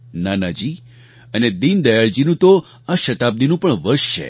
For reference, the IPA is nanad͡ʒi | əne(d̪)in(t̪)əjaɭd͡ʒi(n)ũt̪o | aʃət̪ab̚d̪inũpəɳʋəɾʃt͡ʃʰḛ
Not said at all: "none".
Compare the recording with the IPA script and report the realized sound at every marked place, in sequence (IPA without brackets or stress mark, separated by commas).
d̪, d̪, n